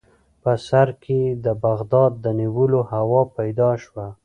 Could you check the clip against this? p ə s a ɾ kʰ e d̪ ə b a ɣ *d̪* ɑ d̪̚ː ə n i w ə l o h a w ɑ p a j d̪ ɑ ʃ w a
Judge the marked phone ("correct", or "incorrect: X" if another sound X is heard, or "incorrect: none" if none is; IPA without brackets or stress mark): correct